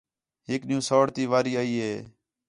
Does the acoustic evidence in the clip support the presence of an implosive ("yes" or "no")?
yes